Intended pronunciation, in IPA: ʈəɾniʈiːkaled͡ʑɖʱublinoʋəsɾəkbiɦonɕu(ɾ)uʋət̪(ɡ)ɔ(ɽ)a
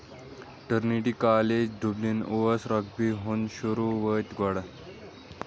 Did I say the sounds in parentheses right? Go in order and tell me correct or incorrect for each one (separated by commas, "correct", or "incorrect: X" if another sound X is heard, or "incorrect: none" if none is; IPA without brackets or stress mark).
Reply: correct, correct, correct